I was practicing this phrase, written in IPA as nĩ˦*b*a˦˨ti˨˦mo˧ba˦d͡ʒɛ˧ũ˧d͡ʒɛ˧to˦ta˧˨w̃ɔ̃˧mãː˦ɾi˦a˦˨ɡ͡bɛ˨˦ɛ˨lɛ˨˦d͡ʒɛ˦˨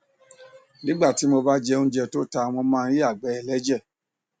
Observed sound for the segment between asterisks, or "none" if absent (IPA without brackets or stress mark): ɡ͡b